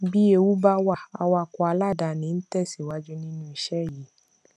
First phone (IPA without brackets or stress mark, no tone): b